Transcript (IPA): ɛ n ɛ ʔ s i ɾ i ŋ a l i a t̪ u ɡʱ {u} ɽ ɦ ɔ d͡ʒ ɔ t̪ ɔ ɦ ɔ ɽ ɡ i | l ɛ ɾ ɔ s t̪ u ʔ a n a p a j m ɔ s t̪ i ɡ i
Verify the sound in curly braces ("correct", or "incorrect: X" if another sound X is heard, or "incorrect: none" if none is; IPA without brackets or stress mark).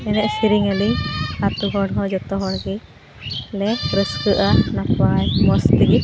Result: incorrect: ɔ